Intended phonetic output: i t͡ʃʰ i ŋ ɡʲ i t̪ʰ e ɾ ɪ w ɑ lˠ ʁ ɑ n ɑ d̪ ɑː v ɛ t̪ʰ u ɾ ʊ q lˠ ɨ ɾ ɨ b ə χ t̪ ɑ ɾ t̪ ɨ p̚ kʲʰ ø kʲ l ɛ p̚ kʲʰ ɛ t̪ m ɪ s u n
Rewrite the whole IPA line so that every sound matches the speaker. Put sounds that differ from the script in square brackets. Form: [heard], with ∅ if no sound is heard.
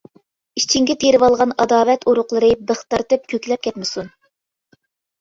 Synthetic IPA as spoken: i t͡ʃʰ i ŋ ɡʲ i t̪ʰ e ɾ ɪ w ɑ lˠ ʁ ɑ n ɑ d̪ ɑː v ɛ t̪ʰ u ɾ ʊ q lˠ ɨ ɾ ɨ b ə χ t̪ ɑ ɾ t̪ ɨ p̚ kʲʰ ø kʲ l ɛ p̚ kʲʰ ɛ t̪ m ɪ s u n